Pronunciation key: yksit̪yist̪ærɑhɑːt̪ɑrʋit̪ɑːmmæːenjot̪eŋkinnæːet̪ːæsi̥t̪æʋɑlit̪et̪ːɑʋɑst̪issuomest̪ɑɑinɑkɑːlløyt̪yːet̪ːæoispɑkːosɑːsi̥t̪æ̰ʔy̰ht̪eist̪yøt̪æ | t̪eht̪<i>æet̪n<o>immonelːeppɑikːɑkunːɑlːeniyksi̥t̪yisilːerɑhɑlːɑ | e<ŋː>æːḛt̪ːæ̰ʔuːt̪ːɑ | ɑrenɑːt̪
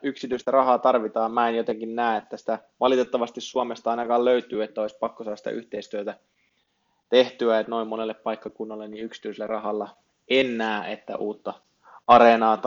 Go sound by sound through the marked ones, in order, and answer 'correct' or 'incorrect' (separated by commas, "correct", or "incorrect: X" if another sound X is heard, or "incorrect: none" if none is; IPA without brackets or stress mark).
incorrect: y, correct, incorrect: nː